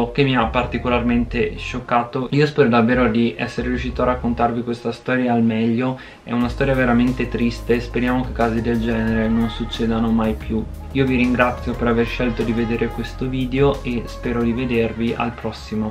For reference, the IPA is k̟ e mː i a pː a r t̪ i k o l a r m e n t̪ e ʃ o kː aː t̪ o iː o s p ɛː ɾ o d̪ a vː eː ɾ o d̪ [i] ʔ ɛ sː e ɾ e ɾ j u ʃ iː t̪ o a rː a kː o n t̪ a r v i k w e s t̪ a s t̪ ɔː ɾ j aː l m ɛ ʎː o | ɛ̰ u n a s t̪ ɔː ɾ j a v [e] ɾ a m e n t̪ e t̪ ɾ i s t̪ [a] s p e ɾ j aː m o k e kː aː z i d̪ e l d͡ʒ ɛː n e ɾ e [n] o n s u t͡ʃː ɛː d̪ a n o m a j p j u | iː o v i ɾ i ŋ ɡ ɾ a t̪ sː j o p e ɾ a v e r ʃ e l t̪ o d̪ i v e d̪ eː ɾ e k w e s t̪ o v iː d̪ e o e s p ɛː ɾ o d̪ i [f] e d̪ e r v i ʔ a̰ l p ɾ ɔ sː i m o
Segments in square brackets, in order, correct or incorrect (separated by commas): correct, correct, incorrect, correct, incorrect